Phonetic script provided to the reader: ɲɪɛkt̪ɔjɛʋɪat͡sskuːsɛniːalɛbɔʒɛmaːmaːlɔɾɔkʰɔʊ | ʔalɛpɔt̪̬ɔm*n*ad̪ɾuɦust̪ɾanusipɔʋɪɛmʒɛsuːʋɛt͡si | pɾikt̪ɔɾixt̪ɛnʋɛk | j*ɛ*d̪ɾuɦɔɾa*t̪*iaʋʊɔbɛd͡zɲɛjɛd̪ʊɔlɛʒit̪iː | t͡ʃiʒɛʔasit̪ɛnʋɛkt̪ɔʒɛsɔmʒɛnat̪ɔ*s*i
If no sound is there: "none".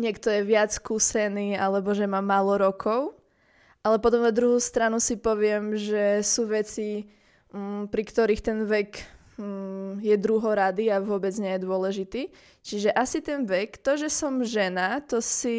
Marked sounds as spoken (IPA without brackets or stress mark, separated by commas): n, ɛ, d̪, s